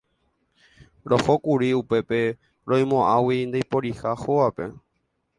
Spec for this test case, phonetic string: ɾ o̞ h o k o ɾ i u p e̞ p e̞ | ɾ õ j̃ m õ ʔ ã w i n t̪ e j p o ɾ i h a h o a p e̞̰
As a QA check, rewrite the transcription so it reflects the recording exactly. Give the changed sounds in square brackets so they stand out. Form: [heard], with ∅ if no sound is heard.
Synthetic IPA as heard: ɾ o̞ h o k [u] ɾ i u p e̞ p e̞ | ɾ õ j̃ m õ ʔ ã w i n [d̪] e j p o ɾ i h a h o a p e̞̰